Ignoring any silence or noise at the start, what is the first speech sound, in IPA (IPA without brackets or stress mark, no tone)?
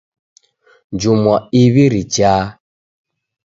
d͡ʒ